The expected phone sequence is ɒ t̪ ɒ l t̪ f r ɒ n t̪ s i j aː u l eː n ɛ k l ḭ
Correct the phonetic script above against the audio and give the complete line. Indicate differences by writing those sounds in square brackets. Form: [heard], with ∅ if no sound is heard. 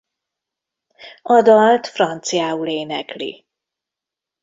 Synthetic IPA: ɒ [d̪] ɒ l t̪ f r ɒ n t̪ s i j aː u l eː n ɛ k l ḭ